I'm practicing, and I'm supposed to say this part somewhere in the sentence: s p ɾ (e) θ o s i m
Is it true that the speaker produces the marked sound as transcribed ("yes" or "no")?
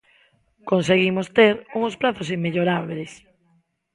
no